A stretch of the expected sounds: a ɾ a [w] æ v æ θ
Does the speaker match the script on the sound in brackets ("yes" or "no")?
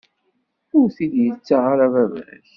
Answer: no